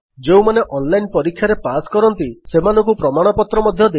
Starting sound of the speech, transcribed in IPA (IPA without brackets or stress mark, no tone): d͡ʒ